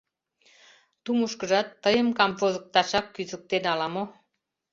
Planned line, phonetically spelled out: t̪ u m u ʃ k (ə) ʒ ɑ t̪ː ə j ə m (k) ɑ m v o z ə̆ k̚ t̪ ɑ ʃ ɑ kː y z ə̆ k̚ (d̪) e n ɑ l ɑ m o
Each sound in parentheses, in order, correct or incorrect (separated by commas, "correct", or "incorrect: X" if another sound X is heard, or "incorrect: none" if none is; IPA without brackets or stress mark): correct, correct, incorrect: t̪